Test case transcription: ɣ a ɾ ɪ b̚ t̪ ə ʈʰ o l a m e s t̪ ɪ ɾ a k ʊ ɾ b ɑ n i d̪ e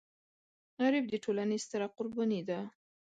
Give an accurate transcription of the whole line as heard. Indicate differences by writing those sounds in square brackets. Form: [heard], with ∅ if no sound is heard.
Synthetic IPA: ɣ a ɾ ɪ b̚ [d̪] ə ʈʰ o l a [n] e s t̪ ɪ ɾ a [q] ʊ ɾ b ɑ n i d̪ [a]